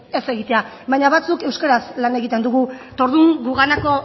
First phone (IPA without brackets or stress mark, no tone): e̞